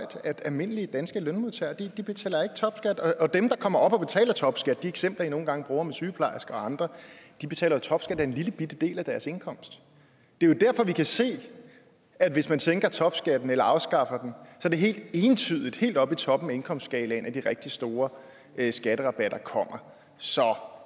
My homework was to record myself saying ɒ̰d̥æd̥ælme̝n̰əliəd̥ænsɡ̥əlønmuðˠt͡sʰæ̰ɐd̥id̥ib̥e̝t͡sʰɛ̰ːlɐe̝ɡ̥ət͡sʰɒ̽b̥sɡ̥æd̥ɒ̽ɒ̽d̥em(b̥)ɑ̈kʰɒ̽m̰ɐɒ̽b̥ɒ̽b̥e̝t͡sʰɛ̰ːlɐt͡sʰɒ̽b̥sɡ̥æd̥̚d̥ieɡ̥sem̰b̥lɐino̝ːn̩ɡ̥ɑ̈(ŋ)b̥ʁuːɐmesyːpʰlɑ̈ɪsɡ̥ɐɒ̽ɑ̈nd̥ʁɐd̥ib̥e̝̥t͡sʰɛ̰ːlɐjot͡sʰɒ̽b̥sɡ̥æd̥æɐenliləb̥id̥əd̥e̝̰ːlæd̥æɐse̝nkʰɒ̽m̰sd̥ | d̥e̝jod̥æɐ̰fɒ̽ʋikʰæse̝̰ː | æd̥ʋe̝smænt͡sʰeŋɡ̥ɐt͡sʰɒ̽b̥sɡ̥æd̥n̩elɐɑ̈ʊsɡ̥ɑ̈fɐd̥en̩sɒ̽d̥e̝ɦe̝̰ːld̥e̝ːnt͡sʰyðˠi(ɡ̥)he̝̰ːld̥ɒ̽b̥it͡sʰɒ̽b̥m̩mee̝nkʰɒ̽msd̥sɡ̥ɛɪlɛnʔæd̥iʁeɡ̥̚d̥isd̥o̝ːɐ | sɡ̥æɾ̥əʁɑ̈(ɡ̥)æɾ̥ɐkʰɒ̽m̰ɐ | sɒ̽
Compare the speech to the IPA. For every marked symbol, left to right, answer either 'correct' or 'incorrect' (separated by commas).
incorrect, correct, incorrect, incorrect